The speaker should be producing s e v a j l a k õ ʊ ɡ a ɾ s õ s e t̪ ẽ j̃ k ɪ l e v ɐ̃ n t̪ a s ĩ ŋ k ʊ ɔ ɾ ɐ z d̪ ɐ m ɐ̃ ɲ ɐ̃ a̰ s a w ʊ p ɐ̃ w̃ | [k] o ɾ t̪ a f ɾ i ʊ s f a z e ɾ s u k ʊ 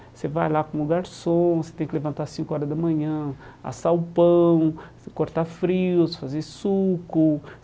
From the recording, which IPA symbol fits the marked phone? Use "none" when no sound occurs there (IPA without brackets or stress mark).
k